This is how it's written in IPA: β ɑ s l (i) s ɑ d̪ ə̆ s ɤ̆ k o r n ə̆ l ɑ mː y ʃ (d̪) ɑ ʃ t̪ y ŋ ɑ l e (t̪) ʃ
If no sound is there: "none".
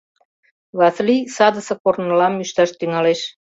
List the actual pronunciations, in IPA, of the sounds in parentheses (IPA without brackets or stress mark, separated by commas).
i, t̪, none